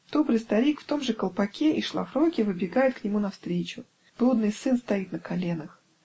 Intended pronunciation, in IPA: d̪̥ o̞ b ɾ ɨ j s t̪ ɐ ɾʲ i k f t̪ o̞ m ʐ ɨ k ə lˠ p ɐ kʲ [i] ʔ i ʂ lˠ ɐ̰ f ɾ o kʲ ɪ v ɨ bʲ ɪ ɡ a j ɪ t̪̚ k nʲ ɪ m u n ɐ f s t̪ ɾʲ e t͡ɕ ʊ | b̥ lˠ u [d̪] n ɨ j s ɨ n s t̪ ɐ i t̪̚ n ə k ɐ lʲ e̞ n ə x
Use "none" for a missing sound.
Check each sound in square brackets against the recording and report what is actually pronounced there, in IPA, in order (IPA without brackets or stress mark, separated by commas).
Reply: e, d̪